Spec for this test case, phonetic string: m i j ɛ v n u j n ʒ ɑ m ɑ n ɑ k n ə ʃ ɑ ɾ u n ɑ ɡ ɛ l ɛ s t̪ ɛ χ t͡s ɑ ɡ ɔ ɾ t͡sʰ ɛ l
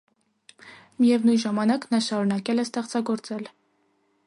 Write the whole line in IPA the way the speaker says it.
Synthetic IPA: m i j ɛ v n u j n ʒ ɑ m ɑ n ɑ k n ɑ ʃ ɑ ɾ u n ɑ k ɛ l ɛ s t̪ ɛ χ t͡s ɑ ɡ ɔ ɾ t͡s ɛ l